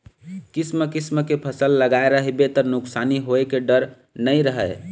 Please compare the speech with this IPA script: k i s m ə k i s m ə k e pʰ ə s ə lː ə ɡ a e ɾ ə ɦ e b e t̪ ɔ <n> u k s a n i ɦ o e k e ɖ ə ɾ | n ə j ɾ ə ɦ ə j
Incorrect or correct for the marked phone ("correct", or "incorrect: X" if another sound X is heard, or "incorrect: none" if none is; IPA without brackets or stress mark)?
correct